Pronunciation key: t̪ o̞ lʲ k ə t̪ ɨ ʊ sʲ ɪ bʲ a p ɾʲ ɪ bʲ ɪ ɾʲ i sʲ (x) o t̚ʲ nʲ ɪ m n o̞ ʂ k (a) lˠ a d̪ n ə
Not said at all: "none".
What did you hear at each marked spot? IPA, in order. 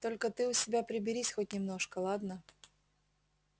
x, ə

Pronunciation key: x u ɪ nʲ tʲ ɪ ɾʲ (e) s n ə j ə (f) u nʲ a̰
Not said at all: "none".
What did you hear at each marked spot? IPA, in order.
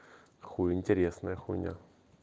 e, x

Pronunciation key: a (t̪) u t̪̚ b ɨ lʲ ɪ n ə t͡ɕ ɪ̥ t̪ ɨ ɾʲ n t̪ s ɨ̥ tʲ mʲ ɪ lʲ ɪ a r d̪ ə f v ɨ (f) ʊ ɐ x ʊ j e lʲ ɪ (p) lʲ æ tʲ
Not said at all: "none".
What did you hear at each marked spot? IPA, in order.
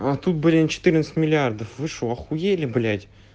t̪, ʂ, b

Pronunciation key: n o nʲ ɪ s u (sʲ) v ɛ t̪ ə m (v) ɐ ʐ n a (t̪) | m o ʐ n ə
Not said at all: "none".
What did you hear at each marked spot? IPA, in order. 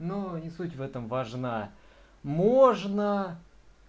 tʲ, v, none

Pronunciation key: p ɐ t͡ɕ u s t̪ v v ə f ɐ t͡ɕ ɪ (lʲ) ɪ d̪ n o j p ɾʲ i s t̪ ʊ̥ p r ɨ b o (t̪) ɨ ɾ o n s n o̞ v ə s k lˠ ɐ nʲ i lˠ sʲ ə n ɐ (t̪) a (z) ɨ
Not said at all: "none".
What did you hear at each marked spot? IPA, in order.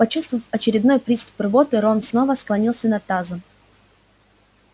ɾʲ, t̪, t̪, z

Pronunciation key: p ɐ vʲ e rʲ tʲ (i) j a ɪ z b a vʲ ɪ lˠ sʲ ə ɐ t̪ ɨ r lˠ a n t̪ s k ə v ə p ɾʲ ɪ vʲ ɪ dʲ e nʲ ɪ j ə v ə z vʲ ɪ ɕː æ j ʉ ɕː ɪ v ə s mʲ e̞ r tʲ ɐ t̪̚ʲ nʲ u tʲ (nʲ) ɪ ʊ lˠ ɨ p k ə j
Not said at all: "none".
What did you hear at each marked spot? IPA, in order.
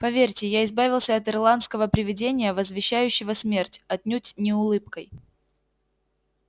ɪ, nʲ

